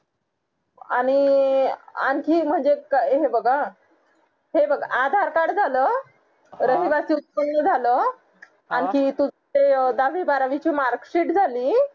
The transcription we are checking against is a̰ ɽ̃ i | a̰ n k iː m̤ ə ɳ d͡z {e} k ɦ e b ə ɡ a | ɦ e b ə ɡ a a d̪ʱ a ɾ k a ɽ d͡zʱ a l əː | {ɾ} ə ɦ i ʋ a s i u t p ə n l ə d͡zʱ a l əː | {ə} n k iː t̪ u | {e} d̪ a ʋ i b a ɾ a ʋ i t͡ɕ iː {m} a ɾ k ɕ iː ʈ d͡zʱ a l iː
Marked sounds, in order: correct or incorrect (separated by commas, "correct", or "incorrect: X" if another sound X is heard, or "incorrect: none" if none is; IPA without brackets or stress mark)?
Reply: correct, correct, incorrect: a, correct, correct